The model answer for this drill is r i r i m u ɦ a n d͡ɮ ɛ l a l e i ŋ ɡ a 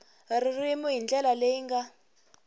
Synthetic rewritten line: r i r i m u ɦ i n d͡ɮ ɛ l a l e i ŋ ɡ a